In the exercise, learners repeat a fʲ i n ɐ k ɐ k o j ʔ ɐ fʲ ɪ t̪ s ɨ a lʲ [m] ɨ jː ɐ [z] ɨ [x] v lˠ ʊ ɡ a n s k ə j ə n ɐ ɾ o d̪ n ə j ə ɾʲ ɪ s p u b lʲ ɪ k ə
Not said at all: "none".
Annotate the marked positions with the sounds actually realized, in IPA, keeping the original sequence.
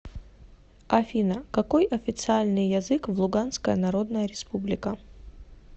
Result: n, z, k

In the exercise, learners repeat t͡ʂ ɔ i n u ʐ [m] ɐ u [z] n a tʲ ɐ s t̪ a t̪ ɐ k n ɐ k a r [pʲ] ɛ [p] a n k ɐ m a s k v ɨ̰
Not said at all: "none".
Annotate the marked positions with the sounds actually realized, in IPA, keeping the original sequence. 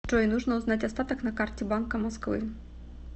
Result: n, z, tʲ, b

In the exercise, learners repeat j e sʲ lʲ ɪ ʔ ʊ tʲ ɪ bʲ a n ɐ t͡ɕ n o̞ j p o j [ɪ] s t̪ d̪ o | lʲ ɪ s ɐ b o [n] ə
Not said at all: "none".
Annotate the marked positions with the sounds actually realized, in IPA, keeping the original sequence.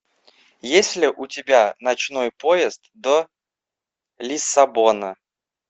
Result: ɪ, n

